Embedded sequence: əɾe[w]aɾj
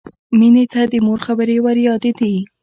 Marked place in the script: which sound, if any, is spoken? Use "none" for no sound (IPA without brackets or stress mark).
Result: w